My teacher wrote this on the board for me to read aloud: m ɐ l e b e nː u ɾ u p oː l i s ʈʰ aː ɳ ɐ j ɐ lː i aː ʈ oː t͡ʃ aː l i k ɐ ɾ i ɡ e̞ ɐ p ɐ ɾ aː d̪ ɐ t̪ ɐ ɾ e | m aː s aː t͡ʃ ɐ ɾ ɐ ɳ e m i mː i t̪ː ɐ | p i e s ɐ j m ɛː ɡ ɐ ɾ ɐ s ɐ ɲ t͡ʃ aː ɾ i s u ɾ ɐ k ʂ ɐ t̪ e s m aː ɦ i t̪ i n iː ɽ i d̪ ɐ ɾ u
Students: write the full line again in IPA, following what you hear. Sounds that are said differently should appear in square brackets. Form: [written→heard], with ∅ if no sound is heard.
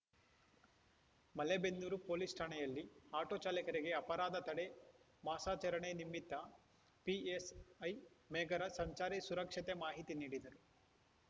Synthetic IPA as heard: m ɐ l e b e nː u ɾ u p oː l i s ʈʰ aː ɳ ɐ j ɐ lː i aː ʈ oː t͡ʃ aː l i k ɐ ɾ i ɡ e̞ ɐ p ɐ ɾ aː d̪ ɐ t̪ ɐ [ɾ→ɽ] e | m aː s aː t͡ʃ ɐ ɾ ɐ ɳ e [m→n] i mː i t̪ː ɐ | p i e s ɐ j m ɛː ɡ ɐ ɾ ɐ s ɐ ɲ t͡ʃ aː ɾ i s u ɾ ɐ k ʂ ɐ t̪ e [s→∅] m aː ɦ i t̪ i n iː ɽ i d̪ ɐ ɾ u

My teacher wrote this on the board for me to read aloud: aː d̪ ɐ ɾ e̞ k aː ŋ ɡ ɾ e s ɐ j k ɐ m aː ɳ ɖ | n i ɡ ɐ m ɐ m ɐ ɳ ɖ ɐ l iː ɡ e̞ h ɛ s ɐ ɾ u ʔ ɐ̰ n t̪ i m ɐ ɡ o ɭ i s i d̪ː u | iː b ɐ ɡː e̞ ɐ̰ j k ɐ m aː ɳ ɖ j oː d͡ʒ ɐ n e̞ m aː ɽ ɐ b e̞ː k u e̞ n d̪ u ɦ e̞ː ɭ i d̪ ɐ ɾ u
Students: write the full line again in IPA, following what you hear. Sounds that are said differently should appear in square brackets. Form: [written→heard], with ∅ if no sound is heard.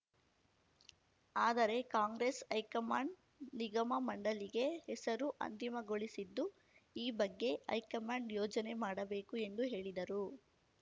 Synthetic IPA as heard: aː d̪ ɐ ɾ e̞ k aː ŋ ɡ ɾ e s ɐ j k ɐ m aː ɳ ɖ | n i ɡ ɐ m ɐ m ɐ ɳ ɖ ɐ l [iː→i] ɡ e̞ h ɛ s ɐ ɾ u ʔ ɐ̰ n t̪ i m ɐ ɡ o ɭ i s i d̪ː u | iː b ɐ ɡː e̞ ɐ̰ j k ɐ m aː ɳ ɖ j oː d͡ʒ ɐ n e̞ m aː ɽ ɐ b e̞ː k u e̞ n d̪ u ɦ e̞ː ɭ i d̪ ɐ ɾ u

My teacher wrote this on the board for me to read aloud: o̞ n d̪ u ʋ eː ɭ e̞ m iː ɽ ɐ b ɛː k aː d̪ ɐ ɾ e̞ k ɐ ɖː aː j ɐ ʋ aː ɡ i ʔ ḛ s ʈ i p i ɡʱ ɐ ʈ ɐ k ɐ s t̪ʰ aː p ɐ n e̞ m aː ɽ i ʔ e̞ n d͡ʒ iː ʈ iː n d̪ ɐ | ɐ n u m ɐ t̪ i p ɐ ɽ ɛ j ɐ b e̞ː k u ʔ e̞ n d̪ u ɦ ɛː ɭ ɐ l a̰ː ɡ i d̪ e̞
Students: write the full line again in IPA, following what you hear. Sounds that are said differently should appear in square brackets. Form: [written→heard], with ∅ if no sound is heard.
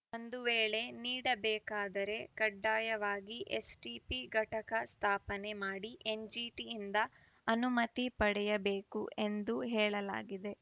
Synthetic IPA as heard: o̞ n d̪ u ʋ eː ɭ e̞ [m→n] iː ɽ ɐ b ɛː k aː d̪ ɐ ɾ e̞ k ɐ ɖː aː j ɐ ʋ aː ɡ i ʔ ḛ s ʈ i p i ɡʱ ɐ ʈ ɐ k ɐ s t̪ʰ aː p ɐ n e̞ m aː ɽ i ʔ e̞ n d͡ʒ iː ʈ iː n d̪ ɐ | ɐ n u m ɐ t̪ i p ɐ ɽ ɛ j ɐ b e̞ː k u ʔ e̞ n d̪ u ɦ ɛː ɭ ɐ l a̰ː ɡ i d̪ e̞

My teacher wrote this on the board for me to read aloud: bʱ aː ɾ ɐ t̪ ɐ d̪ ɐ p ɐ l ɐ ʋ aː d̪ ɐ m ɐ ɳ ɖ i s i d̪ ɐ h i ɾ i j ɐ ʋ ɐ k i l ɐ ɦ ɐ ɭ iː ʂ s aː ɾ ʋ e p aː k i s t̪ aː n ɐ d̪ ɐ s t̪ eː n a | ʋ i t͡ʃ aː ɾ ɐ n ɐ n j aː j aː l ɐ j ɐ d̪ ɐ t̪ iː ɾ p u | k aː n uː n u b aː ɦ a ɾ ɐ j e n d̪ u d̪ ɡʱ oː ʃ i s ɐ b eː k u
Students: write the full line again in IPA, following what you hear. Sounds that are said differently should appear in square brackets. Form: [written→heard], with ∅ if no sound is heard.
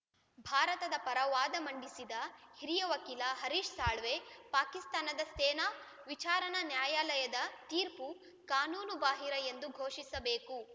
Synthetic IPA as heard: bʱ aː ɾ ɐ t̪ ɐ d̪ ɐ p ɐ [l→ɾ] ɐ ʋ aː d̪ ɐ m ɐ ɳ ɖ i s i d̪ ɐ h i ɾ i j ɐ ʋ ɐ k i l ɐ ɦ ɐ [ɭ→ɾ] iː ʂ s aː [ɾ→ɭ] ʋ e p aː k i s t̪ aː n ɐ d̪ ɐ s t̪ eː n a | ʋ i t͡ʃ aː ɾ ɐ n ɐ n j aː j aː l ɐ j ɐ d̪ ɐ t̪ iː ɾ p u | k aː n uː n u b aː ɦ [a→i] ɾ ɐ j e n d̪ u [d̪→∅] ɡʱ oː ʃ i s ɐ b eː k u

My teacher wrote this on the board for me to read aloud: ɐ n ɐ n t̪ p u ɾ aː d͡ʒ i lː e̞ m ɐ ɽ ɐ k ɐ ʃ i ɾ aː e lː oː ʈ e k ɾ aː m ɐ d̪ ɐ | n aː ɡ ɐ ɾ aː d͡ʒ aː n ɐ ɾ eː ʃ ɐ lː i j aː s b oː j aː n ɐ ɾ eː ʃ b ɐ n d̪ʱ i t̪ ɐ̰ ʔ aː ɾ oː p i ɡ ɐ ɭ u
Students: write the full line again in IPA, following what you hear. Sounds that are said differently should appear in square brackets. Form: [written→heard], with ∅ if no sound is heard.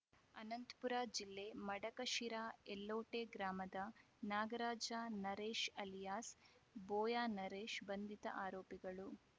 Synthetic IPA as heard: ɐ n ɐ n t̪ p u ɾ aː d͡ʒ i lː e̞ m ɐ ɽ ɐ k ɐ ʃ i ɾ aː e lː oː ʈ e [k→ɡ] ɾ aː m ɐ d̪ ɐ | n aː ɡ ɐ ɾ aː d͡ʒ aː n ɐ ɾ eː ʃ ɐ [lː→l] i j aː s b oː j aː n ɐ ɾ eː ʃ b ɐ n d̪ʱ i t̪ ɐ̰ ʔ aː ɾ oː p i ɡ ɐ ɭ u

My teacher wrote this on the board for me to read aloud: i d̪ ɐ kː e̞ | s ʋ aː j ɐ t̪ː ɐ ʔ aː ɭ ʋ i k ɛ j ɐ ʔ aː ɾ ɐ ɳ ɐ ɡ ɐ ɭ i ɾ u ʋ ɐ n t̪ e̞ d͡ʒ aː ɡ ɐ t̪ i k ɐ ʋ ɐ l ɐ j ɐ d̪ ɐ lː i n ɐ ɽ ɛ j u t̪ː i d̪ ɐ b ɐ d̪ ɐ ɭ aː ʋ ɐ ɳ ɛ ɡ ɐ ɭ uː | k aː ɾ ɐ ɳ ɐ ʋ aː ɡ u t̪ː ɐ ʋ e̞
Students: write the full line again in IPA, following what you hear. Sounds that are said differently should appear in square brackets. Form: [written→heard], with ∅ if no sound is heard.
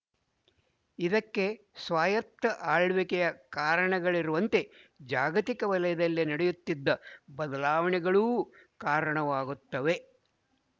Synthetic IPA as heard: i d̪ ɐ kː e̞ | s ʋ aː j ɐ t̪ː ɐ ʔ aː ɭ ʋ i k ɛ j ɐ [ʔ→k] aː ɾ ɐ ɳ ɐ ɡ ɐ ɭ i ɾ u ʋ ɐ n t̪ e̞ d͡ʒ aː ɡ ɐ t̪ i k ɐ ʋ ɐ l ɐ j ɐ d̪ ɐ lː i n ɐ ɽ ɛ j u t̪ː i [d̪→d̪ː] ɐ b ɐ d̪ ɐ [ɭ→l] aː ʋ ɐ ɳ ɛ ɡ ɐ ɭ uː | k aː ɾ ɐ ɳ ɐ ʋ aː ɡ u t̪ː ɐ ʋ e̞

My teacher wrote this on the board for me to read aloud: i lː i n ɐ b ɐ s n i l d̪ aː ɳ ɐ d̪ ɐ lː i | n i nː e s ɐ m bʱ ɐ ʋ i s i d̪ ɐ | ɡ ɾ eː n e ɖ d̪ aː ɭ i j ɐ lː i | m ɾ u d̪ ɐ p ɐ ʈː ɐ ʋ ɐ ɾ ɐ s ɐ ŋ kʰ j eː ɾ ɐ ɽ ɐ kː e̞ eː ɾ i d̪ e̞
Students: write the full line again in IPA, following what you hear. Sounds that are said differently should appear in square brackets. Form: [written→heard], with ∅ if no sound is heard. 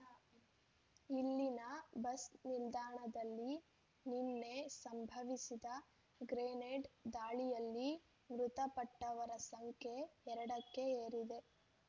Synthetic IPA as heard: i lː i n ɐ b ɐ s n i l d̪ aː ɳ ɐ d̪ ɐ lː i | n i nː e s ɐ m bʱ ɐ ʋ i s i d̪ ɐ | ɡ ɾ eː n e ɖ d̪ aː ɭ i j ɐ lː i | m ɾ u [d̪→t̪] ɐ p ɐ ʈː ɐ ʋ ɐ ɾ ɐ s ɐ ŋ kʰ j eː ɾ ɐ ɽ ɐ kː e̞ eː ɾ i d̪ e̞

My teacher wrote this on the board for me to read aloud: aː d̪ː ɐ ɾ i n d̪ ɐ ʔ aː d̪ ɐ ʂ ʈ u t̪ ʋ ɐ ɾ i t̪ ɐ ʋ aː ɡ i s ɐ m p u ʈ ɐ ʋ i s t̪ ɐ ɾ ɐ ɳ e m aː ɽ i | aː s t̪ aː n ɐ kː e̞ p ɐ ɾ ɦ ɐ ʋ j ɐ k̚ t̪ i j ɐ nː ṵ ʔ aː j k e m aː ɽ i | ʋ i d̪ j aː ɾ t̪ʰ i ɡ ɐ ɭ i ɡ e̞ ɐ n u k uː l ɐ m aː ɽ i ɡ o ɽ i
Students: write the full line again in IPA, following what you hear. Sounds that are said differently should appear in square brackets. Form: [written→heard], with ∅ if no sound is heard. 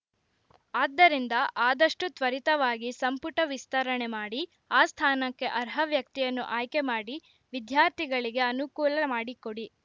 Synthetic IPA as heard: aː d̪ː ɐ ɾ i n d̪ ɐ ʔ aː d̪ ɐ ʂ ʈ u t̪ ʋ ɐ ɾ i t̪ ɐ ʋ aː ɡ i s ɐ m p u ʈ ɐ ʋ i s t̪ ɐ ɾ ɐ ɳ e m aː ɽ i | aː s [t̪→t̪ʰ] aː n ɐ kː e̞ [p→ʔ] ɐ ɾ ɦ ɐ ʋ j ɐ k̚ t̪ i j ɐ nː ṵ ʔ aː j k e m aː ɽ i | ʋ i d̪ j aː ɾ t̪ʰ i ɡ ɐ ɭ i ɡ e̞ ɐ n u k uː l ɐ m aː ɽ i [ɡ→k] o ɽ i

